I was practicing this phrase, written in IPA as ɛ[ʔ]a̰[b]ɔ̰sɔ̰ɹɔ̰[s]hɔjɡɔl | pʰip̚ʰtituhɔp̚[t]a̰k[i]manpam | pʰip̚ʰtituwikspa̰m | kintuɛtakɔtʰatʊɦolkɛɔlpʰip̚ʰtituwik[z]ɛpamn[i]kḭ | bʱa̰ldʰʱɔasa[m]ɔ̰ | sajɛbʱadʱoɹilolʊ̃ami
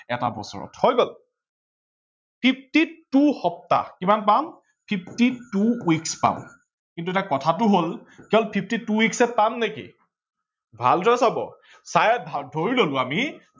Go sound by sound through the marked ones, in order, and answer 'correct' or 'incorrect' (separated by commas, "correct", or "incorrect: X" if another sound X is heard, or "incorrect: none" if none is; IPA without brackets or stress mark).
incorrect: t, correct, incorrect: t, correct, correct, incorrect: s, incorrect: e, incorrect: b